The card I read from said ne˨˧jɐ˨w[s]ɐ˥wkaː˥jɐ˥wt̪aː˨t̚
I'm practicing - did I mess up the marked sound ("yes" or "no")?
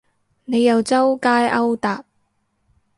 yes